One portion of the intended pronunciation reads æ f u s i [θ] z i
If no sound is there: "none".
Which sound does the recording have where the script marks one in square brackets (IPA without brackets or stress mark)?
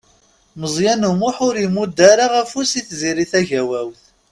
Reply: θ